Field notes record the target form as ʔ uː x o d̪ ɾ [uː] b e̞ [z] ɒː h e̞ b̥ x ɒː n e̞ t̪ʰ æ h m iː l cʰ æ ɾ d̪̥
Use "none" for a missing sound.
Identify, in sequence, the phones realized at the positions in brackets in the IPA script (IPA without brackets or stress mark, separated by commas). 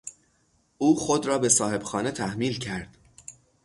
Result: ɒː, s